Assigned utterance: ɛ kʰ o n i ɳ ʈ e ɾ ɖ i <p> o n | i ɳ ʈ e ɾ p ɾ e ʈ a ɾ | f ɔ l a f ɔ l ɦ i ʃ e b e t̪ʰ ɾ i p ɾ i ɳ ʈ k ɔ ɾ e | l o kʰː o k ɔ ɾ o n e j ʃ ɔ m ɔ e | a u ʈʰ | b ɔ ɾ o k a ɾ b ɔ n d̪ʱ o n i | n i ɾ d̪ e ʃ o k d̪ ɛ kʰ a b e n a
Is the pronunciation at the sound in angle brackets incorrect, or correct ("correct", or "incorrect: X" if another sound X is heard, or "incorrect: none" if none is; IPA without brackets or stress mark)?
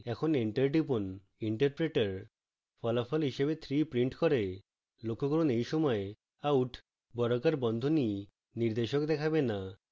correct